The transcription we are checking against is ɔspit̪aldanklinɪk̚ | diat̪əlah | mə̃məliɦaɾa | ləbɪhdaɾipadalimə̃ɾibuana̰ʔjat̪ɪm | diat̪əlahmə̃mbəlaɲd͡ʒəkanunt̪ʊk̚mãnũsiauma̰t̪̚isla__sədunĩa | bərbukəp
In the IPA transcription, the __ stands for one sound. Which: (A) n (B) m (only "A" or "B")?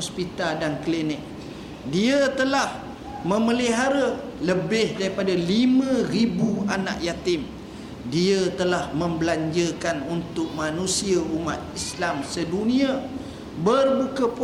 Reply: B